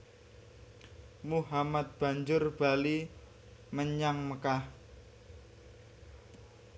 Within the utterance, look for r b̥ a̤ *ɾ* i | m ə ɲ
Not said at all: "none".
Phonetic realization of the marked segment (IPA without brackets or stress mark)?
l